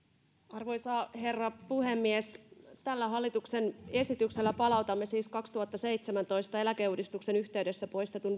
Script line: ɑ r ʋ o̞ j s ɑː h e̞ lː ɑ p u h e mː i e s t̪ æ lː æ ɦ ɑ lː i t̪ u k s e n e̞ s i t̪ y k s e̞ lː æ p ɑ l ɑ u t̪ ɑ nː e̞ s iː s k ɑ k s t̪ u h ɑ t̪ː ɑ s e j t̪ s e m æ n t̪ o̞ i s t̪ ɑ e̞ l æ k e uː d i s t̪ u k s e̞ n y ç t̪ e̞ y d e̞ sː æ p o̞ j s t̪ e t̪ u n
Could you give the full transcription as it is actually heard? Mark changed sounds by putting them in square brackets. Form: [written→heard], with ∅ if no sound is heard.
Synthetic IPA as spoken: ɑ r ʋ o̞ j s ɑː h e̞ [lː→rː] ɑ p u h e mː i e s t̪ æ lː æ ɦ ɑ lː i t̪ u k s e n e̞ s i t̪ y k s e̞ lː æ p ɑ l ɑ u t̪ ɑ [nː→mː] e̞ s iː s k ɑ k s t̪ u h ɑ t̪ː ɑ s e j t̪ s e m æ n t̪ o̞ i s t̪ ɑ e̞ l æ k e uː d i s t̪ u k s e̞ n y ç t̪ e̞ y d e̞ sː æ p o̞ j s t̪ e t̪ u n